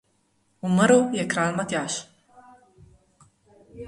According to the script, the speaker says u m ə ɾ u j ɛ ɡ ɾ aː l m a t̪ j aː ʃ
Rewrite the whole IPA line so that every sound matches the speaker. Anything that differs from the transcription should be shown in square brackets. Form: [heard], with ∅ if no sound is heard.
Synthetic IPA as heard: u m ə ɾ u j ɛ [k] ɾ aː l m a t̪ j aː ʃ